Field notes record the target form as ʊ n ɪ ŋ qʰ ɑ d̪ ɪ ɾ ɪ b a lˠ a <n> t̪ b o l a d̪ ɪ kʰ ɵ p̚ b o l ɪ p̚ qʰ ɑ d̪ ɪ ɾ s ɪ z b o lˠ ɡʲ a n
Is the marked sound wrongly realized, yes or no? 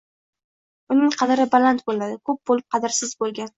no